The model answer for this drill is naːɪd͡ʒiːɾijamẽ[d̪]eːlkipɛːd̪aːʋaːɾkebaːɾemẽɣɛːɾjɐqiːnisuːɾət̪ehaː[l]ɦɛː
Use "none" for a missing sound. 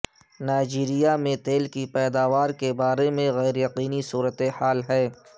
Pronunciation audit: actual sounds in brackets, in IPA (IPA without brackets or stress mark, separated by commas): t̪, l